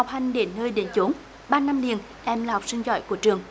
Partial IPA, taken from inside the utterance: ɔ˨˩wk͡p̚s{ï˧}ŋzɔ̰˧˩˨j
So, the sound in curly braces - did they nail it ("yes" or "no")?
yes